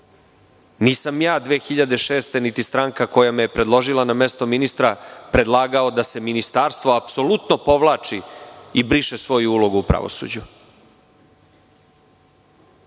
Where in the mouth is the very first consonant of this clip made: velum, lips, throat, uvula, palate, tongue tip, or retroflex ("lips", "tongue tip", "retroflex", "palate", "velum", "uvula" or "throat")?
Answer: tongue tip